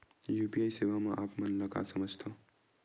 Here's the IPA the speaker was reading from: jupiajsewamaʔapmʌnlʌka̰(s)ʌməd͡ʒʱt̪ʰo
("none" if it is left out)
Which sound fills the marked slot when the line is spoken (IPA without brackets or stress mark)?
s